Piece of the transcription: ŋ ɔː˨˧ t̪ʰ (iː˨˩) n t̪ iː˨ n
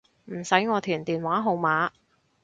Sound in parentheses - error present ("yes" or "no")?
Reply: yes